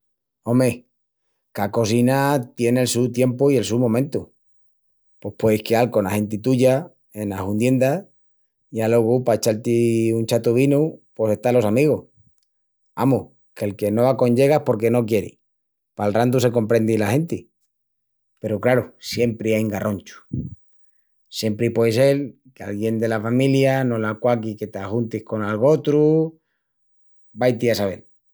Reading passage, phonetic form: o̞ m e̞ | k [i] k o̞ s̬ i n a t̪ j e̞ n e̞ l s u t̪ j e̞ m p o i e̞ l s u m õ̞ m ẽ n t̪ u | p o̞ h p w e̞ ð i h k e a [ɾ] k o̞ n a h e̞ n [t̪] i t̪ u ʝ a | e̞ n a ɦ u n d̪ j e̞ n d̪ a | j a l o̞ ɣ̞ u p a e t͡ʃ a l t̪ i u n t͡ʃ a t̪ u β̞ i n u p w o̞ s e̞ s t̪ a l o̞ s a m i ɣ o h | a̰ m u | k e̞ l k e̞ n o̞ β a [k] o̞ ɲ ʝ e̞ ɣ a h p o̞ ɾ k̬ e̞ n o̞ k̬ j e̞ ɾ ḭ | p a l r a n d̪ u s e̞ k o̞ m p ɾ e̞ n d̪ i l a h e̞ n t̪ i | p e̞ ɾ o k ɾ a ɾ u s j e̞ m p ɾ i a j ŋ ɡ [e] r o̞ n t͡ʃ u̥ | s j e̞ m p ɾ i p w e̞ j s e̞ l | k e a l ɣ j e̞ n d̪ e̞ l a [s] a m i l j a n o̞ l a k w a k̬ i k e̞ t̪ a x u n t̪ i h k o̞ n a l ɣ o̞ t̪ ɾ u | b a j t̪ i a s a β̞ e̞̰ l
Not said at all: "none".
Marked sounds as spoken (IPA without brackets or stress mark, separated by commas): a, l, t̪, k, a, f